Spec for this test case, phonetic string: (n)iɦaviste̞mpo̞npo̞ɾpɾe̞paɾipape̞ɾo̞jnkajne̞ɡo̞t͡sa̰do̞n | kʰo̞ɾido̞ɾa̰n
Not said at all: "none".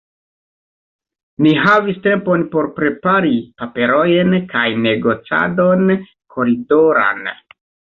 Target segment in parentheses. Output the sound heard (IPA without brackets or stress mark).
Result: n